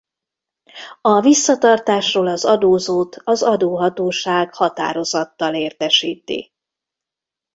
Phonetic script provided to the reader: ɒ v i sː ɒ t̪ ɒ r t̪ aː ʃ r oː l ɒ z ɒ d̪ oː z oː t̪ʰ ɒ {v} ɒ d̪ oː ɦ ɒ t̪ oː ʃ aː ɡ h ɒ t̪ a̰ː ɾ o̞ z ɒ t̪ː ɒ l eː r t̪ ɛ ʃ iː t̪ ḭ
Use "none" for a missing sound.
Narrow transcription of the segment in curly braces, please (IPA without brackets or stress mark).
z